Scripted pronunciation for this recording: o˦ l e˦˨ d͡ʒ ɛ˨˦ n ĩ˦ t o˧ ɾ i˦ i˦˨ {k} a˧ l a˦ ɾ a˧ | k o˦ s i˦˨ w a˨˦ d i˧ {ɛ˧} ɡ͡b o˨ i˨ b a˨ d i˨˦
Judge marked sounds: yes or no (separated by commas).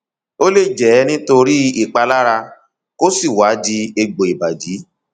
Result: no, no